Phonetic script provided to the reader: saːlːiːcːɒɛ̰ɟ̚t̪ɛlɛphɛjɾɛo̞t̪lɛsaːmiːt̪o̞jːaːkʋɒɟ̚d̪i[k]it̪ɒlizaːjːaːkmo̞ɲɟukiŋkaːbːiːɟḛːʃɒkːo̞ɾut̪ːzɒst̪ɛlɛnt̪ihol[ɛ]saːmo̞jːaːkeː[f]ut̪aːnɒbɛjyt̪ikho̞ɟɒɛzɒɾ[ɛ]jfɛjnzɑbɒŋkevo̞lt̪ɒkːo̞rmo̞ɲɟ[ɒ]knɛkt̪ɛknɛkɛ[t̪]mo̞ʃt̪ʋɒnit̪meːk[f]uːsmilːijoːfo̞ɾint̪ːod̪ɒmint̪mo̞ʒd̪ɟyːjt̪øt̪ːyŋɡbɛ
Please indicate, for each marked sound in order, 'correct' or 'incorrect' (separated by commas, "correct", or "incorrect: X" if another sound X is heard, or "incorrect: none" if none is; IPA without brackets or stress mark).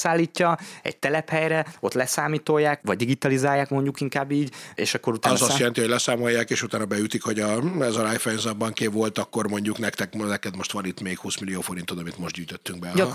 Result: incorrect: ɡ, correct, incorrect: ʃ, incorrect: a, incorrect: u, incorrect: d̪, incorrect: h